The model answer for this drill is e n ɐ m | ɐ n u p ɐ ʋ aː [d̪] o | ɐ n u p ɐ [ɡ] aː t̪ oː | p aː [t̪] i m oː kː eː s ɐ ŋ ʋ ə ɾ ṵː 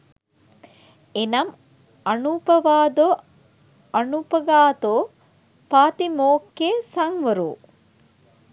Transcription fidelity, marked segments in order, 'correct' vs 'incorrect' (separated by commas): correct, correct, correct